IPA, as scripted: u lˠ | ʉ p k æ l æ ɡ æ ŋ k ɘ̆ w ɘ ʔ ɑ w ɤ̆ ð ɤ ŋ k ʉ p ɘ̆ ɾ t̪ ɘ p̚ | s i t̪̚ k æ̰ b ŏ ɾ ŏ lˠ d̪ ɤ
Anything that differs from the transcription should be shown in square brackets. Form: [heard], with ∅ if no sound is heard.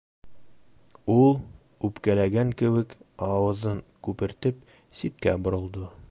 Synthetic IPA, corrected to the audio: u lˠ | ʉ p k æ l æ ɡ æ ŋ k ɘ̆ w ɘ [k] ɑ w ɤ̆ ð ɤ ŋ k ʉ p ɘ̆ ɾ t̪ ɘ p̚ | s i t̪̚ k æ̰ b ŏ ɾ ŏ lˠ d̪ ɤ